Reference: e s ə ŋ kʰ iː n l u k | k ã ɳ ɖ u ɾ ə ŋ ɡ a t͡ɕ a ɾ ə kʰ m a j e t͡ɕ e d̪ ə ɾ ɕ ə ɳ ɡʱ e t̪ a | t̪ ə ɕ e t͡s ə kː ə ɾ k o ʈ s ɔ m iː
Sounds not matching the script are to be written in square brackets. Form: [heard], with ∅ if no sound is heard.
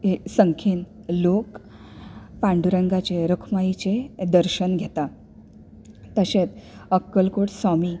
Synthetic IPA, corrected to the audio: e s ə ŋ kʰ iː n l [o] k | [p] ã ɳ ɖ u ɾ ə ŋ ɡ a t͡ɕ [e] ɾ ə kʰ m a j [i] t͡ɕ e d̪ ə ɾ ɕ ə [n] ɡʱ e t̪ a | t̪ ə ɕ e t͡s ə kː ə [l] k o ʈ s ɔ m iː